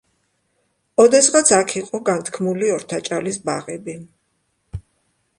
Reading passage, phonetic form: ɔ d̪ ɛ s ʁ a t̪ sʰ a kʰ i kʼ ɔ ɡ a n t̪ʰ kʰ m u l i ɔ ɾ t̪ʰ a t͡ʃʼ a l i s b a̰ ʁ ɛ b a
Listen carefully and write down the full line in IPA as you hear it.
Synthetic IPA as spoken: ɔ d̪ ɛ s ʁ a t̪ sʰ a kʰ i qʼ ɔ ɡ a n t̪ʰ kʰ m u l i ɔ ɾ t̪ʰ a t͡ʃʼ a l i s b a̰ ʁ ɛ b i